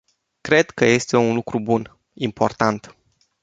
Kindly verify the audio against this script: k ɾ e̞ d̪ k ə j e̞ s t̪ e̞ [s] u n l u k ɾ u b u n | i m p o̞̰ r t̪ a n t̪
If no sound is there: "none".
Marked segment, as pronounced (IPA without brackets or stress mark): none